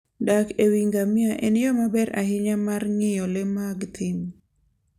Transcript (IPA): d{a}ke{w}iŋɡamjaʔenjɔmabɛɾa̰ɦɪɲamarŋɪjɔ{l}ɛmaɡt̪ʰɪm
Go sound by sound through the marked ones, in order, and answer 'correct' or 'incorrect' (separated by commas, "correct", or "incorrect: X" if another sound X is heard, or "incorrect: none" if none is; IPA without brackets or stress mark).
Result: correct, correct, correct